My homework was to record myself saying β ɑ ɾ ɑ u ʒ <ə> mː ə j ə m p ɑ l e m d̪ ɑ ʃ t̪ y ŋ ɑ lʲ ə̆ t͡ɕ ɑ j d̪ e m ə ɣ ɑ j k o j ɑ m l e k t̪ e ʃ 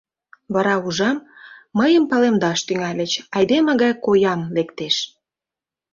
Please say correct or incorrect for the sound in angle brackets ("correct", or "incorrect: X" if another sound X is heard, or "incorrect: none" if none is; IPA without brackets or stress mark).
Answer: incorrect: ɑ